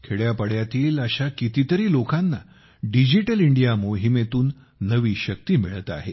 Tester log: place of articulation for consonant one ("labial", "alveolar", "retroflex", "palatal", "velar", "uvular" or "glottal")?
velar